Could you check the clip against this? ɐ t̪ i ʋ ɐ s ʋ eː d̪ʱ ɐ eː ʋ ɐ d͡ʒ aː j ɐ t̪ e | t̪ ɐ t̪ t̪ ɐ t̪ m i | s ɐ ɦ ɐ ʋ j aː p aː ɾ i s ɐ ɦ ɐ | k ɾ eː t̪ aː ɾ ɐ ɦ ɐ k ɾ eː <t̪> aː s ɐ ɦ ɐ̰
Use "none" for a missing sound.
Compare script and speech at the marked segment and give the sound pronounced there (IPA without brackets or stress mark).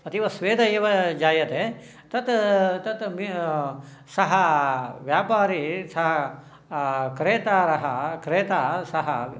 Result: t̪